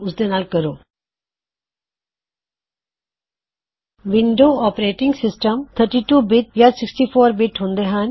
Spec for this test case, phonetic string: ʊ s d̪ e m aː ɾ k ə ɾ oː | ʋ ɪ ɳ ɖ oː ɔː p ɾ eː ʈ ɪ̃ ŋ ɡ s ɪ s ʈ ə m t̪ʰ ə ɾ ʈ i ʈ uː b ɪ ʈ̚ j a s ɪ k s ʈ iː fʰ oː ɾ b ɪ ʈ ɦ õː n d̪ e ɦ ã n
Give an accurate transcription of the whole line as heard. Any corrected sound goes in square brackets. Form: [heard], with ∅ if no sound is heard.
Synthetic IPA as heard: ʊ s d̪ e [n] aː [l] k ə ɾ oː | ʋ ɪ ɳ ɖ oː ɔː p ɾ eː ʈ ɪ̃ ŋ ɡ s ɪ s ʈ ə m t̪ʰ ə ɾ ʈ i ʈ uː b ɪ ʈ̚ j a s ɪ k s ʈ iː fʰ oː ɾ b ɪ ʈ ɦ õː n d̪ e ɦ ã n

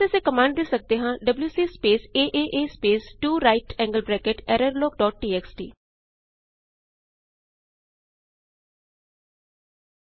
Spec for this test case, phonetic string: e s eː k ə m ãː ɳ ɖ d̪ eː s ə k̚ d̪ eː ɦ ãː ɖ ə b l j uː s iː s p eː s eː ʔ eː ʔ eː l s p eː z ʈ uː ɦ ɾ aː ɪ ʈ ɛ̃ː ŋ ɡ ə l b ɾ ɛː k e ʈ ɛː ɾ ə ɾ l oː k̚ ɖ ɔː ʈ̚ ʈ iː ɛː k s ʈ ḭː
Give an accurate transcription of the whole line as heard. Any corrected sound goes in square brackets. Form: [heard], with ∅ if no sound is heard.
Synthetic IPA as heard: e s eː k ə m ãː ɳ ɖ d̪ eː s ə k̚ d̪ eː ɦ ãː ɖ ə b l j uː s iː s p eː s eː ʔ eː ʔ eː [∅] s p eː [s] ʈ uː [∅] ɾ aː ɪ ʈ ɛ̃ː ŋ ɡ ə l b ɾ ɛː k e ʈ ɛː ɾ ə ɾ l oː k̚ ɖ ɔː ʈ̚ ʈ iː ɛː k s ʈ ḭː

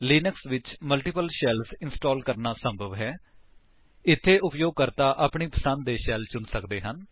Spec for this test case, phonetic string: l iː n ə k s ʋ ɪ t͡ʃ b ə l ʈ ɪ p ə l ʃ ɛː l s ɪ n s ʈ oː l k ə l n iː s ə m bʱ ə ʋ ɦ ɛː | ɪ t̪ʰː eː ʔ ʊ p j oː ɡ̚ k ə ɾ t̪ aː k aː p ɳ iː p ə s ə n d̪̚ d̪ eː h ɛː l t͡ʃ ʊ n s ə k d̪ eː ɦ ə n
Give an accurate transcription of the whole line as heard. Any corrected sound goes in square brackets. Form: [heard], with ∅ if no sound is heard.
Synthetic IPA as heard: l iː n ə k s ʋ ɪ t͡ʃ [m] ə l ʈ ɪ p ə l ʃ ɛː l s ɪ n s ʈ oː l k ə [ɾ] n [aː] s ə m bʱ ə ʋ ɦ ɛː | ɪ t̪ʰː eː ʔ ʊ p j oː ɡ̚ k ə ɾ t̪ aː [ʔ] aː p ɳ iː p ə s ə n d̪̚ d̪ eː [ʃ] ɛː l t͡ʃ ʊ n s ə k d̪ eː ɦ ə n

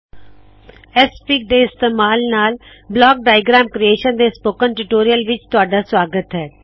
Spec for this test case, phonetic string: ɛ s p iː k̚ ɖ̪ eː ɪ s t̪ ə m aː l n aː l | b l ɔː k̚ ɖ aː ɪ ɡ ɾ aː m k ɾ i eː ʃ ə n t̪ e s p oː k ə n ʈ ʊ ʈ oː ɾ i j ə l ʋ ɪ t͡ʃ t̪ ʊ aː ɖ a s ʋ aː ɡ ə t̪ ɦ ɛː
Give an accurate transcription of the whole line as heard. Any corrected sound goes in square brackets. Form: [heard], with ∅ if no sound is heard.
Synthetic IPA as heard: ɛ s p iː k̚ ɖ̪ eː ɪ s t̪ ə m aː l n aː l | b l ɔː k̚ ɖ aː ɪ ɡ ɾ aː m k ɾ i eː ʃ ə n [d̪] e s p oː k ə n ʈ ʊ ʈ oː ɾ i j ə l ʋ ɪ t͡ʃ t̪ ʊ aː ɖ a s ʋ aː ɡ ə t̪ ɦ ɛː

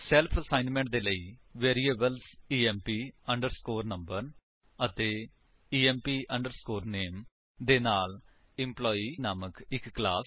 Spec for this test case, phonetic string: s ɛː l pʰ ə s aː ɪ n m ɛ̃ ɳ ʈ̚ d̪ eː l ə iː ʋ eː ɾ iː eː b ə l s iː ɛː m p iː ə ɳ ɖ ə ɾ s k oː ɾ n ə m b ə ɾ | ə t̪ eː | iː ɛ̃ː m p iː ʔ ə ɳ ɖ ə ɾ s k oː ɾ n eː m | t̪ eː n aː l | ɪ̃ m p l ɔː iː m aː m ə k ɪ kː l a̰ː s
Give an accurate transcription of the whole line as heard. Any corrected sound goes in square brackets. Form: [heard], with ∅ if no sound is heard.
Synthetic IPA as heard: s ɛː l pʰ ə s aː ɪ n m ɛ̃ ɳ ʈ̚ d̪ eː l ə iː ʋ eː ɾ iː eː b ə l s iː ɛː m p iː ə ɳ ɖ ə ɾ s k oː ɾ n ə m b ə ɾ | ə t̪ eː | iː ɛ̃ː m p iː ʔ ə ɳ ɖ ə ɾ s k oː ɾ n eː m | [d̪] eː n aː l | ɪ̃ m p l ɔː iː [n] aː m ə k ɪ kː l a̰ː s

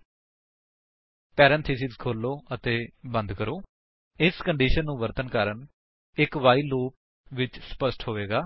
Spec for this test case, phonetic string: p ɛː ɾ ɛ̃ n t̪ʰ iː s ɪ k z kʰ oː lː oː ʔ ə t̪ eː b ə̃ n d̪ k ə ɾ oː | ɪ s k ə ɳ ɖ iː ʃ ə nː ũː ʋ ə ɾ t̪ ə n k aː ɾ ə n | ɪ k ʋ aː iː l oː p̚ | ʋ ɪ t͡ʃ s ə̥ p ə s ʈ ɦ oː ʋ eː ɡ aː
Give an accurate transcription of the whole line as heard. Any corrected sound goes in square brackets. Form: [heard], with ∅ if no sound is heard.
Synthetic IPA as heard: p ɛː ɾ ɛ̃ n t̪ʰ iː s ɪ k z kʰ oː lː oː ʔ ə t̪ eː b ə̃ n d̪ k ə ɾ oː | ɪ s k ə ɳ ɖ iː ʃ ə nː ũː ʋ ə ɾ t̪ ə n k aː ɾ ə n | ɪ k ʋ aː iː l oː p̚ | ʋ ɪ t͡ʃ s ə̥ p ə s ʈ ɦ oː ʋ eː ɡ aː

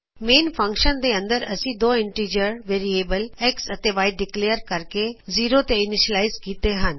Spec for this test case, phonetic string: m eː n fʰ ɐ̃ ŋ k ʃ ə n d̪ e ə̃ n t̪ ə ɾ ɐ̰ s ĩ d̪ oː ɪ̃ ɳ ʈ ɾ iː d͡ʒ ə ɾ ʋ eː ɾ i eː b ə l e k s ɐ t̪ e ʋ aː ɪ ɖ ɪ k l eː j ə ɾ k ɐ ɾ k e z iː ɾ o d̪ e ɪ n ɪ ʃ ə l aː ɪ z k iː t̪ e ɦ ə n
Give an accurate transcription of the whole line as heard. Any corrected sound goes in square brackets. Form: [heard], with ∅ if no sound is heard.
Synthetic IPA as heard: m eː n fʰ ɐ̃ ŋ k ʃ ə n d̪ e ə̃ n [d̪] ə ɾ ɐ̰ s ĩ d̪ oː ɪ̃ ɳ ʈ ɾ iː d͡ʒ ə ɾ ʋ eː ɾ i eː b ə l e k s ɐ t̪ e ʋ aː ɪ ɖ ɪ k l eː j ə ɾ k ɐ ɾ k e z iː ɾ o [t̪] e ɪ n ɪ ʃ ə l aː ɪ z k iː t̪ e ɦ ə n

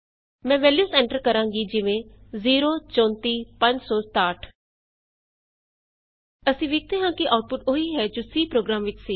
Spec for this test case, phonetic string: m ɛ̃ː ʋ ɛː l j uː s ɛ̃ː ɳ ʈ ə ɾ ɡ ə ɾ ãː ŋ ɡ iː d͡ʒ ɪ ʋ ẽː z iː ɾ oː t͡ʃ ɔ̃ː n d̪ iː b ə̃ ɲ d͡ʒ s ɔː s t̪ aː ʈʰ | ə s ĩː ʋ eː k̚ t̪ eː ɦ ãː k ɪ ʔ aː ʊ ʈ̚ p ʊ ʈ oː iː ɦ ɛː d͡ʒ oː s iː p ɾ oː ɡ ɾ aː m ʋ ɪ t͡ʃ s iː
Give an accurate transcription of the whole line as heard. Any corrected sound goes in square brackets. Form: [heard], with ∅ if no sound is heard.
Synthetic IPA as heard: m ɛ̃ː ʋ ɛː l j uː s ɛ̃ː ɳ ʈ ə ɾ [k] ə ɾ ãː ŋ ɡ iː d͡ʒ ɪ ʋ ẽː z iː ɾ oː t͡ʃ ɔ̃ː n [t̪] iː [p] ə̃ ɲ d͡ʒ s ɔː s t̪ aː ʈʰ | ə s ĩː ʋ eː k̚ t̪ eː ɦ ãː k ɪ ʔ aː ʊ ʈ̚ p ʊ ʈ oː iː ɦ ɛː d͡ʒ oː s iː p ɾ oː ɡ ɾ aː m ʋ ɪ t͡ʃ s iː

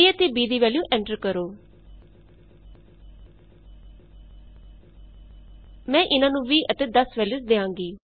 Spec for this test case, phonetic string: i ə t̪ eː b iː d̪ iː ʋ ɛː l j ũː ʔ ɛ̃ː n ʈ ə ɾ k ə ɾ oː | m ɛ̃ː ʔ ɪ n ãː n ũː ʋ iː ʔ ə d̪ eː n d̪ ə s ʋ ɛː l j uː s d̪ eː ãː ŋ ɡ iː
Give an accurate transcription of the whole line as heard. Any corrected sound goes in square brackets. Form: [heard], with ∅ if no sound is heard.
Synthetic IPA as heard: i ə t̪ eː b iː d̪ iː ʋ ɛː l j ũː ʔ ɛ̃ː [ɳ] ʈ ə ɾ k ə ɾ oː | m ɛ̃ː ʔ ɪ n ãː n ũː ʋ iː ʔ ə [t̪] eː [∅] d̪ ə s ʋ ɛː l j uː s d̪ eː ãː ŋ ɡ iː

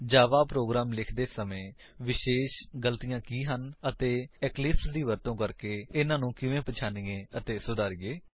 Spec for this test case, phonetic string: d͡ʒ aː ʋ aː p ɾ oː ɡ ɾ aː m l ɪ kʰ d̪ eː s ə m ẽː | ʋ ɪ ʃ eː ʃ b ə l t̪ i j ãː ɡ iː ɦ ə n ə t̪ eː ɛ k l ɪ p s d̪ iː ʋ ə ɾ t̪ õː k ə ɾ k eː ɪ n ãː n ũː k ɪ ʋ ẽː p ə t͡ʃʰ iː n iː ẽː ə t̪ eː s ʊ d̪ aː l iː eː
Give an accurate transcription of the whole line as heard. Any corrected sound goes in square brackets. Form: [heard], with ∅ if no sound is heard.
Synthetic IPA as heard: d͡ʒ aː ʋ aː p ɾ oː ɡ ɾ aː m l ɪ kʰ d̪ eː s ə m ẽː | ʋ ɪ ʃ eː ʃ [ɡ] ə l t̪ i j ãː [k] iː ɦ ə n ə t̪ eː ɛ k l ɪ p s d̪ iː ʋ ə ɾ t̪ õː k ə ɾ k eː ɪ n ãː n ũː k ɪ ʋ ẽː p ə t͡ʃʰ [aː] n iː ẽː ə t̪ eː s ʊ d̪ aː [ɾ] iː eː

